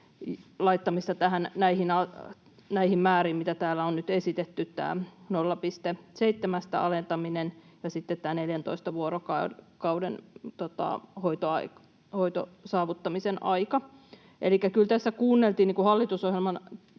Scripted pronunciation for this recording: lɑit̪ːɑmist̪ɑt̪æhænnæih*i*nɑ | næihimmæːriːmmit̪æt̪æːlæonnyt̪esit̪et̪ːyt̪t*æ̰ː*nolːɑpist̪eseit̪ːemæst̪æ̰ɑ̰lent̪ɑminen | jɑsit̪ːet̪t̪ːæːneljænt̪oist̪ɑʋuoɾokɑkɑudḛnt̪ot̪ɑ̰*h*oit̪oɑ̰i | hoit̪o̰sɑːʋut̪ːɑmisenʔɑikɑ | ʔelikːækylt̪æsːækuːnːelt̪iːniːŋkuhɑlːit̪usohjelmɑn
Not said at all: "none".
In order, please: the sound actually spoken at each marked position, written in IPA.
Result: i, æ̰ː, h

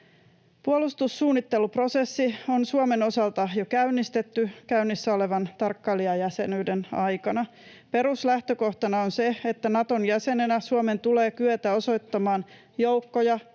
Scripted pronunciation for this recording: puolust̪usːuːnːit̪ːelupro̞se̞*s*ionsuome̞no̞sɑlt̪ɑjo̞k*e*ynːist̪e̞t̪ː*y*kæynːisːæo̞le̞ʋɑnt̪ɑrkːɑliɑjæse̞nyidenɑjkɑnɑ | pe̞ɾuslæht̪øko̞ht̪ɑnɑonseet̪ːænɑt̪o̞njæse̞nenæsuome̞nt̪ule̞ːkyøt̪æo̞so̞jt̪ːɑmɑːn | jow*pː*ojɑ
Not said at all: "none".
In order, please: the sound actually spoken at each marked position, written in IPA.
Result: sː, æ, y, kː

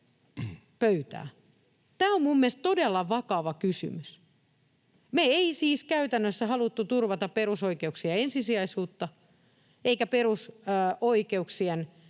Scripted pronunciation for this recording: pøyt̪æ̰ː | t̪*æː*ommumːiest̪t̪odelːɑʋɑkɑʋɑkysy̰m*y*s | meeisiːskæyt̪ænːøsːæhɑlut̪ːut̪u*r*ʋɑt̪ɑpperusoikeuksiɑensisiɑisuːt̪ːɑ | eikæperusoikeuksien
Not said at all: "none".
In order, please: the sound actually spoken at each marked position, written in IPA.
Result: æː, y, r

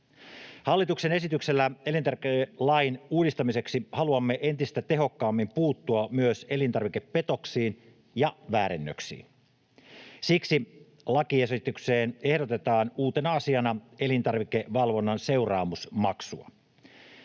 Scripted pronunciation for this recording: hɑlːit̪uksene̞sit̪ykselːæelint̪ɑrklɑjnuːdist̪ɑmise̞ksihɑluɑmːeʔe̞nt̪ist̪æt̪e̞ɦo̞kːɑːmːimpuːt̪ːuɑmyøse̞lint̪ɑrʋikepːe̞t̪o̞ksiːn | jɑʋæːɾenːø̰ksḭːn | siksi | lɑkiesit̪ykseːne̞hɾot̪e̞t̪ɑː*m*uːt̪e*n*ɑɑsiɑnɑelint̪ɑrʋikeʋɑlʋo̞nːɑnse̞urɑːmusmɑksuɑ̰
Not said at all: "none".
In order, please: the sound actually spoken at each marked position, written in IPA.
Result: n, n

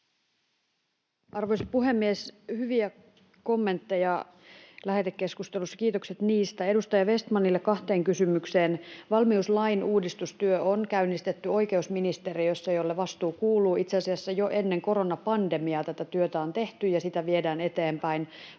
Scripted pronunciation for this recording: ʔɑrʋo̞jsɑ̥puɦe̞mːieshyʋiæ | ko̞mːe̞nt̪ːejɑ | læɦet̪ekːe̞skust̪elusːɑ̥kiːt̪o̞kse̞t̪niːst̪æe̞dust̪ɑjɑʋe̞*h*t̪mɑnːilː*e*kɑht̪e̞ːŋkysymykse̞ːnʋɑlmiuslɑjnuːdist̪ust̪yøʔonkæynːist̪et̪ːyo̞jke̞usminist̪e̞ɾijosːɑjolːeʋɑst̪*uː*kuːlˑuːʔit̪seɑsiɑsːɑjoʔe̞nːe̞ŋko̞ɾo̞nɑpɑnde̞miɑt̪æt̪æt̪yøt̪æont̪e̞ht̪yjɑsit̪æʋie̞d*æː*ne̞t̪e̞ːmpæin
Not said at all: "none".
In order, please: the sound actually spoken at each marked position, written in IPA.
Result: s, e, uː, æː

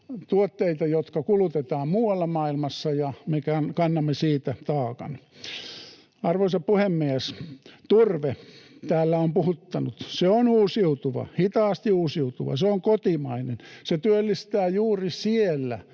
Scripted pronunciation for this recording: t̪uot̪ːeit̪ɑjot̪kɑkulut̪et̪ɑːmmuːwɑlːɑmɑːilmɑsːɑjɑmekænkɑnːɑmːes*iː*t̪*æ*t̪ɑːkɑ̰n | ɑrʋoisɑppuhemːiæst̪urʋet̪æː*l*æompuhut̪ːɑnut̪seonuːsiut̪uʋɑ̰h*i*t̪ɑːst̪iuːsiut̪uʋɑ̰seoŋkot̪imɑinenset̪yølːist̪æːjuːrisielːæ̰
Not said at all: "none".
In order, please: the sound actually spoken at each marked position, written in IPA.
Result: iː, æ, lː, i

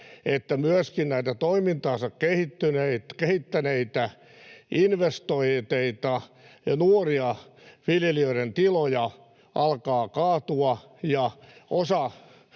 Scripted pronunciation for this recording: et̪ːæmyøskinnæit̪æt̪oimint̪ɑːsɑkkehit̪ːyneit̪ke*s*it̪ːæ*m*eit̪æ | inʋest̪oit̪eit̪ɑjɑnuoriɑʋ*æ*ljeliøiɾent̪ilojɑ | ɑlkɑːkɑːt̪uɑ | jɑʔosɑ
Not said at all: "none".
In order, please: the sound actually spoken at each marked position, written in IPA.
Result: h, n, i

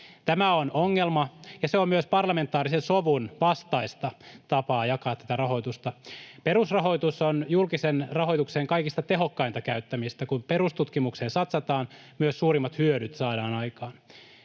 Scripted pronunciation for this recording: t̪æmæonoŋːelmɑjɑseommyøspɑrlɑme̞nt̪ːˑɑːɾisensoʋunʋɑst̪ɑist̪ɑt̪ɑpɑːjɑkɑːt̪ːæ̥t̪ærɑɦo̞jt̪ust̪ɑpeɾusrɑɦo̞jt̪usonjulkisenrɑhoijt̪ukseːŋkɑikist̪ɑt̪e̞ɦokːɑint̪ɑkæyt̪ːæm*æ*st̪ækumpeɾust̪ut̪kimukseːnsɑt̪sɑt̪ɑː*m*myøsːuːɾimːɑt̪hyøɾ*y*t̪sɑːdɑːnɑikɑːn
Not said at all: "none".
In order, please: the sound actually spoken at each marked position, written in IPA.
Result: i, n, y

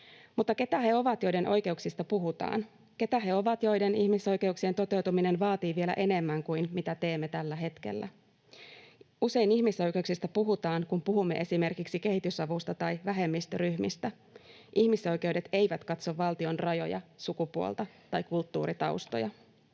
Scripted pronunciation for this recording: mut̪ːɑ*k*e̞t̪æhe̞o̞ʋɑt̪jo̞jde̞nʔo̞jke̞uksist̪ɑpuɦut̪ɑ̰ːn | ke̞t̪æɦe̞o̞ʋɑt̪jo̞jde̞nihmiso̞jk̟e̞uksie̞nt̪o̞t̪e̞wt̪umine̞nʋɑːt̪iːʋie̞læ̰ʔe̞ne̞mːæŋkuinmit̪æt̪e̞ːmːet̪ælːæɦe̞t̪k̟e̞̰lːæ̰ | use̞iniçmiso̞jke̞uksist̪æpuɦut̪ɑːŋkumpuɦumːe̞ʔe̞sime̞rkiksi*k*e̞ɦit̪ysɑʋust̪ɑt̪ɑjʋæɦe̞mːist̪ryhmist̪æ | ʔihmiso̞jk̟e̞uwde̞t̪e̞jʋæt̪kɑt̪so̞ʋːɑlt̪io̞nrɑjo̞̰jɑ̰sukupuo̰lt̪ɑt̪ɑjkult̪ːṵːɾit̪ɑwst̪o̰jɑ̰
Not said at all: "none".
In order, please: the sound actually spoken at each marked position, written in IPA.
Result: k, k

